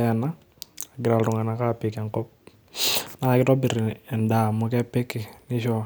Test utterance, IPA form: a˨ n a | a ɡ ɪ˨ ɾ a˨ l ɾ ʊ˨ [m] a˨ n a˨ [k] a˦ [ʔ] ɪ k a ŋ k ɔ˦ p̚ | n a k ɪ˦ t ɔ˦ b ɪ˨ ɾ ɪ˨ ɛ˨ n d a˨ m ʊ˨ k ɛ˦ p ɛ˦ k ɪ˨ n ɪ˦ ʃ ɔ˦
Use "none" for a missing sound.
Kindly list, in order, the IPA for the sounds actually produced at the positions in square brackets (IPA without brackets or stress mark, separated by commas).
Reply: ŋ, k, p